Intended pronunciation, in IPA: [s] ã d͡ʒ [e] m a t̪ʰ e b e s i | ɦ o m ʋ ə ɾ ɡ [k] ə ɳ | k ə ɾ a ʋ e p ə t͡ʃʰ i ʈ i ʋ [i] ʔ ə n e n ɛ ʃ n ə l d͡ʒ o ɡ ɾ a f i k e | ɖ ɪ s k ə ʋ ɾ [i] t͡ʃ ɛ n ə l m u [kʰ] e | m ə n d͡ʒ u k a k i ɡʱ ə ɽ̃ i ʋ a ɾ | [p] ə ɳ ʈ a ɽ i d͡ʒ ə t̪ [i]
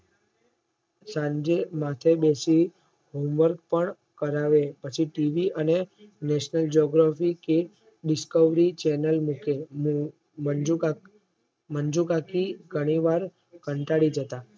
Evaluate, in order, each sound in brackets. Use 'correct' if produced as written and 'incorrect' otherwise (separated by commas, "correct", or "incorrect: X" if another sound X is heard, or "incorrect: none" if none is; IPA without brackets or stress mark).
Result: correct, correct, incorrect: p, correct, correct, incorrect: k, incorrect: k, incorrect: a